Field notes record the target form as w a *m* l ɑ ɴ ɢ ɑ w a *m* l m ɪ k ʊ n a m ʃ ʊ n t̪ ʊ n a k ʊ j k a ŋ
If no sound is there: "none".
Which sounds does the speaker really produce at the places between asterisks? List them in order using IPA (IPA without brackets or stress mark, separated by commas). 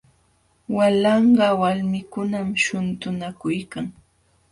none, none